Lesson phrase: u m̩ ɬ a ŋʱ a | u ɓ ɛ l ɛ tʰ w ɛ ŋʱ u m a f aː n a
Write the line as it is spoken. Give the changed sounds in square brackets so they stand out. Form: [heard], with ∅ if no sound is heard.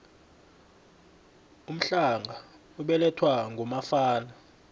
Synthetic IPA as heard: u m̩ ɬ a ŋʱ a | u ɓ ɛ l ɛ tʰ w [a] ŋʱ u m a f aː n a